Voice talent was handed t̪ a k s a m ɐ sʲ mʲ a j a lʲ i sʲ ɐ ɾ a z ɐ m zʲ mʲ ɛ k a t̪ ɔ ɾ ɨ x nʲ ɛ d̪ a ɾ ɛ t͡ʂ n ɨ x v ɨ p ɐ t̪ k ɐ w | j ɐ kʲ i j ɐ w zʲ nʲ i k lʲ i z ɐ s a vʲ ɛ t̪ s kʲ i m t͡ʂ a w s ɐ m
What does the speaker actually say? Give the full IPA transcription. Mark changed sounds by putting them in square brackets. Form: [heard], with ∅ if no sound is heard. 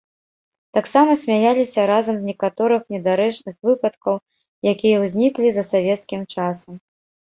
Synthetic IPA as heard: t̪ a k s a m ɐ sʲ mʲ a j a lʲ i sʲ ɐ ɾ a z ɐ m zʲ [nʲ] ɛ k a t̪ ɔ ɾ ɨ x nʲ ɛ d̪ a ɾ ɛ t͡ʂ n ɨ x v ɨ p ɐ t̪ k ɐ w | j [a] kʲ i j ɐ w zʲ nʲ i k lʲ i z ɐ s a vʲ ɛ t̪ s kʲ i m t͡ʂ a [∅] s ɐ m